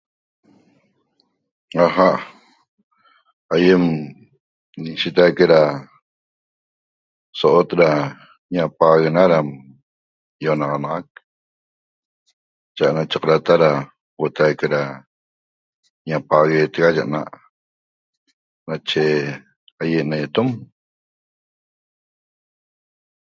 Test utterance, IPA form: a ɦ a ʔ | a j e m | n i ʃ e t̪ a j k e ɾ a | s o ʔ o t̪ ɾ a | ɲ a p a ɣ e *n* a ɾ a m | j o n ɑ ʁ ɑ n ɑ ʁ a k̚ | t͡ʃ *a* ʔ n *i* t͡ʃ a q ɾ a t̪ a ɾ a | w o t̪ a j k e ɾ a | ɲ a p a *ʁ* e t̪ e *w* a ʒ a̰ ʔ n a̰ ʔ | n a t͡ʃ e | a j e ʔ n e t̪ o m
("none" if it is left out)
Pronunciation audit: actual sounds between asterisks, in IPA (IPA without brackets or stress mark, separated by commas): n, a, a, ɣ, ɣ